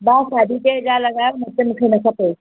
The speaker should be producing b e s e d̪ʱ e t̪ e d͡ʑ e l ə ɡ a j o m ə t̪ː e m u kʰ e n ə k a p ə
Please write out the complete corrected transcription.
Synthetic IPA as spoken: b a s a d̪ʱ i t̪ e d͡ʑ a l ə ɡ a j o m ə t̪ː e m u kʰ e n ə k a p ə